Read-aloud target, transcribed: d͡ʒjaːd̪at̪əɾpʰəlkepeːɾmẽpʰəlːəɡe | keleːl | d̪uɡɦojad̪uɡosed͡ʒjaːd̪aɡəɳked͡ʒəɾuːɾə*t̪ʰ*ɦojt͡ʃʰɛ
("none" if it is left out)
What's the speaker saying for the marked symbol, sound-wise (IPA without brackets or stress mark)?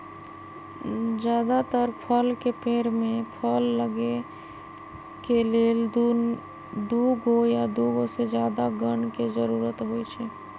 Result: t̪